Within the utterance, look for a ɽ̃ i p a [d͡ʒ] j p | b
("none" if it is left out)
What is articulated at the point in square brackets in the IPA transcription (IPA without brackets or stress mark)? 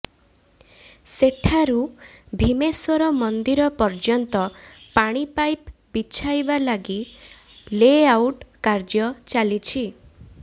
none